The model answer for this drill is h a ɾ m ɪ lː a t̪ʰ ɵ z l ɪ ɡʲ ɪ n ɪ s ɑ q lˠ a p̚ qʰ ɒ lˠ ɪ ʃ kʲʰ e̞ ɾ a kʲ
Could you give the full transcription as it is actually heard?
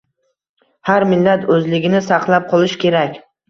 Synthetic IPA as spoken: h a ɾ m ɪ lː a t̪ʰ ɵ z l ɪ ɡʲ ɪ n ɪ s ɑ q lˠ a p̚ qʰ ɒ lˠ ɪ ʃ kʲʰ e̞ ɾ a kʲ